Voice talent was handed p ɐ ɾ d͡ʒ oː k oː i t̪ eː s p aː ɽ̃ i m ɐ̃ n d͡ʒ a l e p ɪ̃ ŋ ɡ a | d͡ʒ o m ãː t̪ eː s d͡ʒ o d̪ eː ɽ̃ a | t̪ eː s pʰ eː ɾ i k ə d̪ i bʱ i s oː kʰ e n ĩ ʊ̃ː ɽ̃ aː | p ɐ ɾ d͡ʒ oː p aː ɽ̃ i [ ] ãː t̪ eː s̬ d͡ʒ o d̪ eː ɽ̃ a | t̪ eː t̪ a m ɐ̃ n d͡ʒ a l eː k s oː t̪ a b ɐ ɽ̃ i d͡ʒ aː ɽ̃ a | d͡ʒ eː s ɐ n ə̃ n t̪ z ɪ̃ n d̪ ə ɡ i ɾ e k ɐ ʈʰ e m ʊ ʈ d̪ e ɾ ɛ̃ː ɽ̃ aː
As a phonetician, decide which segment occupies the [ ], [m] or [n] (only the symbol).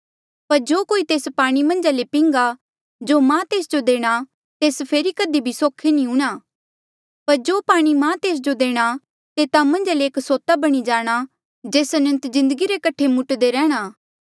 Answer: m